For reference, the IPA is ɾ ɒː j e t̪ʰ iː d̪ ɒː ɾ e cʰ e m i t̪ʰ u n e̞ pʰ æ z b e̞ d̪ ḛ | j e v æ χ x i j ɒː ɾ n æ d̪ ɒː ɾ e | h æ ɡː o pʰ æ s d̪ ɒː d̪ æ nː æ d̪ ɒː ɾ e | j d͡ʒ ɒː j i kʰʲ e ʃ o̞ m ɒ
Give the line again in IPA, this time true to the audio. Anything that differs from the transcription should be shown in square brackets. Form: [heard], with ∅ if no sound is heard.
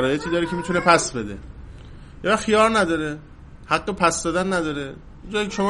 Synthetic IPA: ɾ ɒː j e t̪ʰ iː d̪ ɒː ɾ e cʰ e m i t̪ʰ u n e̞ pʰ æ [s] b e̞ d̪ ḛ | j e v æ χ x i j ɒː ɾ n æ d̪ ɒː ɾ e | h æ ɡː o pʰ æ s d̪ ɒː d̪ æ nː æ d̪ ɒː ɾ e | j d͡ʒ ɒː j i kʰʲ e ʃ o̞ m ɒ